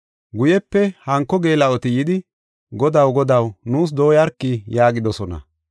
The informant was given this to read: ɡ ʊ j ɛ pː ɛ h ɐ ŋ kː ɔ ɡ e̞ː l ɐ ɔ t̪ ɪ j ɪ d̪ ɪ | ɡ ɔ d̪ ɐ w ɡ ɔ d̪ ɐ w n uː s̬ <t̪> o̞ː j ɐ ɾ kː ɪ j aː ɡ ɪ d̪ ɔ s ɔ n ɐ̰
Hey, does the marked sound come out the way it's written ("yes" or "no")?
no